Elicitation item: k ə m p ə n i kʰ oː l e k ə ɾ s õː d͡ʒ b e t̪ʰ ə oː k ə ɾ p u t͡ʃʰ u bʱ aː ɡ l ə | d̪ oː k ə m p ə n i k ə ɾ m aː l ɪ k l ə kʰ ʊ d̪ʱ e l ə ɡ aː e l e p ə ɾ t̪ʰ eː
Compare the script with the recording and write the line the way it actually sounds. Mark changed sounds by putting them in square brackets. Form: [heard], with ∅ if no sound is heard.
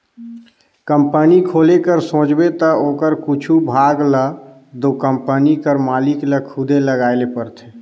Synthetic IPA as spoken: k ə m p ə n i kʰ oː l e k ə ɾ s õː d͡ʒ b e [t̪] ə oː k ə ɾ [k] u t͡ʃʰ u bʱ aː ɡ l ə | d̪ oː k ə m p ə n i k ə ɾ m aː l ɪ k l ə kʰ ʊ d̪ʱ e l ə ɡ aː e l e p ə ɾ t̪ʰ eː

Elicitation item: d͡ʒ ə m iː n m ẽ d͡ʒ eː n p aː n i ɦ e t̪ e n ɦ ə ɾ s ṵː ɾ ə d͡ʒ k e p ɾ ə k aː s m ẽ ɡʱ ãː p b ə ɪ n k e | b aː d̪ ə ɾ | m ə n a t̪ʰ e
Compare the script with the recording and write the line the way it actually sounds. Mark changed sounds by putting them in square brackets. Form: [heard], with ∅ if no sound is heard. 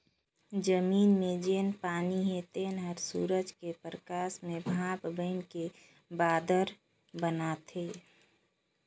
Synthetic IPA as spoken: d͡ʒ ə m iː n m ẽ d͡ʒ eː n p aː n i ɦ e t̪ e n ɦ ə ɾ s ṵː ɾ ə d͡ʒ k e p ɾ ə k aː s m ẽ [bʱ] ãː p b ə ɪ n k e | b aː d̪ ə ɾ | [b] ə n a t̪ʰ e

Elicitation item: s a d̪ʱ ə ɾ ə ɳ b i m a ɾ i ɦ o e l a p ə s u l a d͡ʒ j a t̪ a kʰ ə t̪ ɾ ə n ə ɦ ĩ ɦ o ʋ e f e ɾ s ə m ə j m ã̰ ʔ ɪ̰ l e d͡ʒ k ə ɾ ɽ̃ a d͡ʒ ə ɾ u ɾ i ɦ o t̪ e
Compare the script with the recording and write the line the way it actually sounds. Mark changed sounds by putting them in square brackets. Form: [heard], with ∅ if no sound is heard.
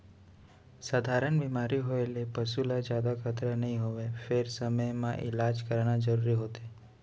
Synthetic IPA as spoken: s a d̪ʱ [a] ɾ ə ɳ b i m a ɾ i ɦ o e l [e] p ə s u l a d͡ʒ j a [d̪] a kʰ ə t̪ ɾ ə n ə ɦ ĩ ɦ o ʋ e f e ɾ s ə m ə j m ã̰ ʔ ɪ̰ l [a] d͡ʒ k ə ɾ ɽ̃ a d͡ʒ ə ɾ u ɾ i ɦ o t̪ e

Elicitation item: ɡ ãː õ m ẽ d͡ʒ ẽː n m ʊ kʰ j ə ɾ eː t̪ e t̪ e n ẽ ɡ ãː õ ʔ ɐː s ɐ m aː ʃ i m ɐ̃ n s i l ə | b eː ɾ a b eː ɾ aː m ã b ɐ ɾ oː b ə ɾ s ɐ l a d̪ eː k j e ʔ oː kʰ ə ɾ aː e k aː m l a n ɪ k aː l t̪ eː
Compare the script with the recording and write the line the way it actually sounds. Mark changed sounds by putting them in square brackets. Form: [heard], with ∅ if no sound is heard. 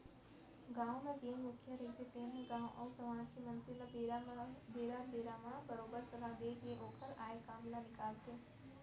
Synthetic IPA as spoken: ɡ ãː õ m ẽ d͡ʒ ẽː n m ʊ kʰ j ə ɾ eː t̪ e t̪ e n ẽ ɡ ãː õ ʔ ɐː s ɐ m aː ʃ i m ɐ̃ n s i l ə | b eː ɾ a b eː ɾ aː m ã b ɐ ɾ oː b ə ɾ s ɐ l a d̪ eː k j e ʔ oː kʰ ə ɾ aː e k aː m l a n ɪ k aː l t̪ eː

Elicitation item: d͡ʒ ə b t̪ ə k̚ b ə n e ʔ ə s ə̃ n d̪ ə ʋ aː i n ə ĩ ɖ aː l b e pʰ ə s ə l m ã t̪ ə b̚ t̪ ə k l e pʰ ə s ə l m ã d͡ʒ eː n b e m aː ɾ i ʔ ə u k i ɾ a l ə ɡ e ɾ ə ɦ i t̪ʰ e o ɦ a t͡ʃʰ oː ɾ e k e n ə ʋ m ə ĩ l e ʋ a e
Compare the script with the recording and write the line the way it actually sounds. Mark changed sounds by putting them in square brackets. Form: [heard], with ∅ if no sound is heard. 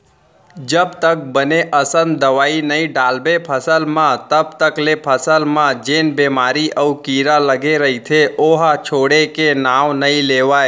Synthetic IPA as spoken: d͡ʒ ə b t̪ ə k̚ b ə n e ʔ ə s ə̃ n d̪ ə ʋ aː i n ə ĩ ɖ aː l b e pʰ ə s ə l m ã t̪ ə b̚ t̪ ə k l e pʰ ə s ə l m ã d͡ʒ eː n b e m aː ɾ i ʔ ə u k i ɾ a l ə ɡ e ɾ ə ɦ i t̪ʰ e o ɦ a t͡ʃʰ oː [ɽ] e k e n [a] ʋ [n] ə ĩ l e ʋ a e

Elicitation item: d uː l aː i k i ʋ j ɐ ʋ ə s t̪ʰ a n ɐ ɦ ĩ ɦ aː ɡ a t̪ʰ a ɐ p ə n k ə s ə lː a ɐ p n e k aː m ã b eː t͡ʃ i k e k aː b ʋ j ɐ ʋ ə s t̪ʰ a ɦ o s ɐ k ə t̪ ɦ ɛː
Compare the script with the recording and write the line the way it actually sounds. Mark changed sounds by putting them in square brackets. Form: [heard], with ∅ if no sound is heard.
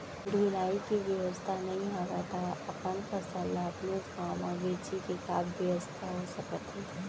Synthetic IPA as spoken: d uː l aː i k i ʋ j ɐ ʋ ə s t̪ʰ a n ɐ ɦ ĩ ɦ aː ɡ a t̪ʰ a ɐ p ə n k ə s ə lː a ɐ p n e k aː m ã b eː t͡ʃ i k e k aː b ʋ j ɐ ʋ ə s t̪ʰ a ɦ o s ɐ k ə t̪ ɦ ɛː

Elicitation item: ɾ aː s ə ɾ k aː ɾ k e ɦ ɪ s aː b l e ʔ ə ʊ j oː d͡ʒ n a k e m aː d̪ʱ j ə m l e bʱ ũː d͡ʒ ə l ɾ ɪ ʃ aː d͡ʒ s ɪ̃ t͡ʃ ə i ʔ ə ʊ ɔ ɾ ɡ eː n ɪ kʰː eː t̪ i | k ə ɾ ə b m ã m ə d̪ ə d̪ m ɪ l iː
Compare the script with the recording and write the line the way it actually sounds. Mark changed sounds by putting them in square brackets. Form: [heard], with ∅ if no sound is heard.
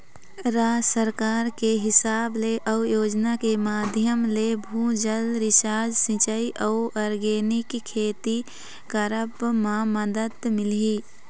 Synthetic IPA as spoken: ɾ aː s ə ɾ k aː ɾ k e ɦ ɪ s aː b l e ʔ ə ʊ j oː d͡ʒ n a k e m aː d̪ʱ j ə m l e bʱ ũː d͡ʒ ə l ɾ ɪ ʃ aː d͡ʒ s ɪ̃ t͡ʃ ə i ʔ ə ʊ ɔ ɾ ɡ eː n ɪ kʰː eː t̪ i | k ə ɾ ə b m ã m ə d̪ ə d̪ m ɪ l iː

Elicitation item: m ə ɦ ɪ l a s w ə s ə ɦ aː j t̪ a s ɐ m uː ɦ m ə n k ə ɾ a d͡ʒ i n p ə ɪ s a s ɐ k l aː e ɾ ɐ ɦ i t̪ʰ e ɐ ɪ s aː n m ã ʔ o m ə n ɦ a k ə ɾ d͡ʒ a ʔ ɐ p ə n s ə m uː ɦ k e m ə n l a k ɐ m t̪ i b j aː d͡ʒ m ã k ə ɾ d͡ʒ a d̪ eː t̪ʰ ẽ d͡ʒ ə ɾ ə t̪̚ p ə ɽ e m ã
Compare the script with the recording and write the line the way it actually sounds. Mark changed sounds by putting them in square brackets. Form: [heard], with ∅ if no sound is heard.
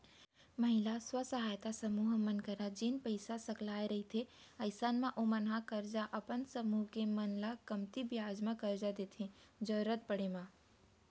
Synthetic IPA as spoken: m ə ɦ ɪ l a s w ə s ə ɦ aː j t̪ a s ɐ m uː ɦ m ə n k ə ɾ a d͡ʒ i n p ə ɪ s a s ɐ k l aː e ɾ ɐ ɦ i t̪ʰ e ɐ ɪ s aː n m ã ʔ o m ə n ɦ a k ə ɾ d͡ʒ a ʔ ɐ p ə n s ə m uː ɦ k e m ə n l a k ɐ m t̪ i b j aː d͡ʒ m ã k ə ɾ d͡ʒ a d̪ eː t̪ʰ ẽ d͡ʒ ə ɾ ə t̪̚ p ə ɽ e m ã

